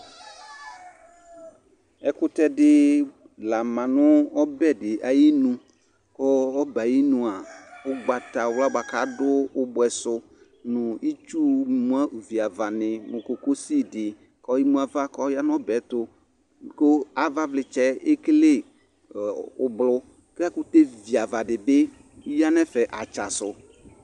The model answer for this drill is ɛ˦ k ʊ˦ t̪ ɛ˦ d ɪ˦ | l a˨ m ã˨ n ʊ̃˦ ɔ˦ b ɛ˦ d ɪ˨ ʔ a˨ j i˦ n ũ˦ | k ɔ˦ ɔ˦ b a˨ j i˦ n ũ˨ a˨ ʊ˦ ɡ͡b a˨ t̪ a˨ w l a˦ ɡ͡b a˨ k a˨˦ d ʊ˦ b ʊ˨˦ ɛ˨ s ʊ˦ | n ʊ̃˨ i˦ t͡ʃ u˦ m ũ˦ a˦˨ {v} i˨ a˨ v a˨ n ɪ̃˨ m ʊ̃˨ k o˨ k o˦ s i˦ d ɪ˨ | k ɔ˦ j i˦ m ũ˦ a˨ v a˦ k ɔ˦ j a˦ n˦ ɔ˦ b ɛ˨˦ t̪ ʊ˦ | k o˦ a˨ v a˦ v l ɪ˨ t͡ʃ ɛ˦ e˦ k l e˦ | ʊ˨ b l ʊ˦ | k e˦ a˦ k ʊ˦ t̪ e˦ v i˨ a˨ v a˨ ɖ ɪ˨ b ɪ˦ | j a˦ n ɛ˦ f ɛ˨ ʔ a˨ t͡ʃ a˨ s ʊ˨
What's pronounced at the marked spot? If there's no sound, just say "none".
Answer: v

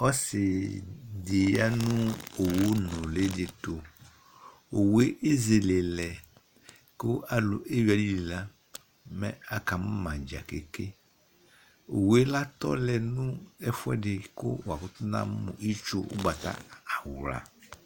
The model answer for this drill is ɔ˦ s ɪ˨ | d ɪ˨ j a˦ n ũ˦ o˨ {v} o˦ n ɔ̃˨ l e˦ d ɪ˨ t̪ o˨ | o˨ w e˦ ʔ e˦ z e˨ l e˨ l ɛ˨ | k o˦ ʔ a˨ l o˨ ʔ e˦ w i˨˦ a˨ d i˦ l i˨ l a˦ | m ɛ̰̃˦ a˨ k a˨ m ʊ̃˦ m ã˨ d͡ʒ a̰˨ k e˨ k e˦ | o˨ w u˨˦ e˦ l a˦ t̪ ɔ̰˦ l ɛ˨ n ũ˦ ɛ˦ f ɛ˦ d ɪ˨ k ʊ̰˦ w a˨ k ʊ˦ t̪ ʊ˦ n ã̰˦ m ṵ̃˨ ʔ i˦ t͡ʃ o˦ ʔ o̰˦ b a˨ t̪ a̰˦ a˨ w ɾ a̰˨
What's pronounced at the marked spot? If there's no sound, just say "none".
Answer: w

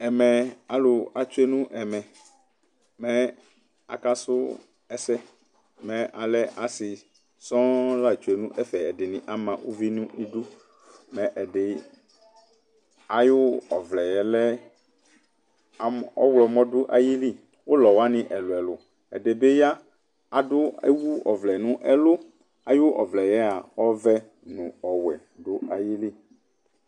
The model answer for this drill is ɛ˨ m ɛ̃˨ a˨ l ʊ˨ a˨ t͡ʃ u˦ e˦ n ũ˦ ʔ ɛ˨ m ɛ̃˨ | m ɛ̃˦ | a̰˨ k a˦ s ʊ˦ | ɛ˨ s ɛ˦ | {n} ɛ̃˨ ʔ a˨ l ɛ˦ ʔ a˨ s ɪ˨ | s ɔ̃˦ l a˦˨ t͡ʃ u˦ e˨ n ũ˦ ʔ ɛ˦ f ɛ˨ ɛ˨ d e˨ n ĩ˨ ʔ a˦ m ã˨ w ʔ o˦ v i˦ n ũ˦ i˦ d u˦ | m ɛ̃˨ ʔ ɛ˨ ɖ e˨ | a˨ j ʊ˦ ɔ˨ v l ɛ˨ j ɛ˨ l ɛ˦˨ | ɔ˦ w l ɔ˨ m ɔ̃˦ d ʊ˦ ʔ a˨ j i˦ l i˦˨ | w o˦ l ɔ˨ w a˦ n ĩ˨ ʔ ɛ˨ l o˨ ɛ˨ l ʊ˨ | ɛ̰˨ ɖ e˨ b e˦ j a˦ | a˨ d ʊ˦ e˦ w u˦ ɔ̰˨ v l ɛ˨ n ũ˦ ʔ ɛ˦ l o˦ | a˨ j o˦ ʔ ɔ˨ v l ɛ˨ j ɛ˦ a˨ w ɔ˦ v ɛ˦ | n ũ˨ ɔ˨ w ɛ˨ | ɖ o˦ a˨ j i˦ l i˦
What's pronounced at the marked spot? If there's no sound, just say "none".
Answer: m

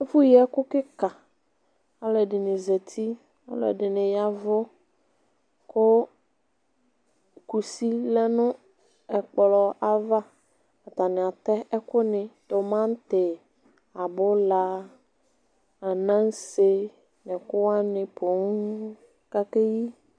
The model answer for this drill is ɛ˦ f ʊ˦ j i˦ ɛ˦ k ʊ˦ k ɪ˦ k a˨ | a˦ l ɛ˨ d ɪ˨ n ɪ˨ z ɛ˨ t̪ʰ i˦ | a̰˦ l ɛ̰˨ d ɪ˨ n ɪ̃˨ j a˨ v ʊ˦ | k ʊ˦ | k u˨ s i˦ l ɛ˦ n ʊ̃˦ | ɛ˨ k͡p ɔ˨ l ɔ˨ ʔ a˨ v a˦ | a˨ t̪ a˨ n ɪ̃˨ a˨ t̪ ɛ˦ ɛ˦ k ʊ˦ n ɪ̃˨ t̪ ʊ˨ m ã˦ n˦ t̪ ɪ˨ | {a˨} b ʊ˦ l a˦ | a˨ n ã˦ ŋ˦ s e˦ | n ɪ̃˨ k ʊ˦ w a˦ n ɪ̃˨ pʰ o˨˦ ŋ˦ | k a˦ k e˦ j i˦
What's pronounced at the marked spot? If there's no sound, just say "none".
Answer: a˨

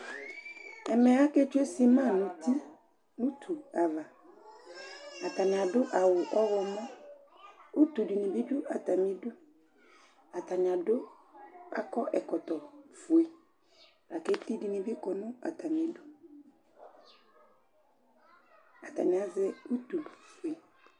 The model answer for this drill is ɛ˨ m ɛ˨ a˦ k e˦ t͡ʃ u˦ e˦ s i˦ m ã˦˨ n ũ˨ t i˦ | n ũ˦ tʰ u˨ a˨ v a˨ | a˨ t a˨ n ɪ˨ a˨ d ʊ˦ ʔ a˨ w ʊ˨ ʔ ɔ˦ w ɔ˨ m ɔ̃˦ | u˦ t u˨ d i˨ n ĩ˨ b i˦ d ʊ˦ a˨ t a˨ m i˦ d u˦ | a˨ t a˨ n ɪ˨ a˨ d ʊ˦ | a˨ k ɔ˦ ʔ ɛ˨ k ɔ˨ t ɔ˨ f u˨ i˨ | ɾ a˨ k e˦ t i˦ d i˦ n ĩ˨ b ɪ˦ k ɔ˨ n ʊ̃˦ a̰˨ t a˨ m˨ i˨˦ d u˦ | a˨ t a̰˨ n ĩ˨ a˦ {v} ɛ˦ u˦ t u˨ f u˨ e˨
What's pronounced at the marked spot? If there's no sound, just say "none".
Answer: z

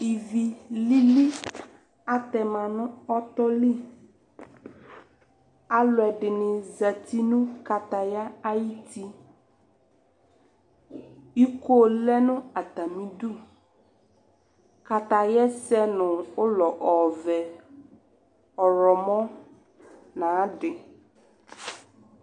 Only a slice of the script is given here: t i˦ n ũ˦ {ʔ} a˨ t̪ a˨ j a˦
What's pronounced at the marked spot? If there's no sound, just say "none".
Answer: k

